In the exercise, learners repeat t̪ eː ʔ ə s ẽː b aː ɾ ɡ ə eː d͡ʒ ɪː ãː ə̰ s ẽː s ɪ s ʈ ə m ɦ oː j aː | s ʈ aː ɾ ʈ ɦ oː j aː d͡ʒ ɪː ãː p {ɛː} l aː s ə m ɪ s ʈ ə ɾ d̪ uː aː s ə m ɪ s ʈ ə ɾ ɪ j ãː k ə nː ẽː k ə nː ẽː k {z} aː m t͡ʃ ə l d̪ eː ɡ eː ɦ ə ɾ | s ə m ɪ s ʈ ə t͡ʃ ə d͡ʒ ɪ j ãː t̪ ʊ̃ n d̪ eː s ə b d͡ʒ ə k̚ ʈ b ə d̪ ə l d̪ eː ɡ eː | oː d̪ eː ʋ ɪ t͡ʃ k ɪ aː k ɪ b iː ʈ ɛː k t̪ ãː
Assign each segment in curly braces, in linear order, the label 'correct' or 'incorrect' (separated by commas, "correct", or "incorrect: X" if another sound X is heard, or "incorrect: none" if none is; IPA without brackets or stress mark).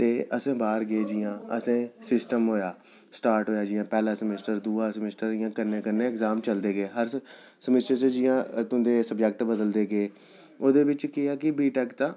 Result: correct, correct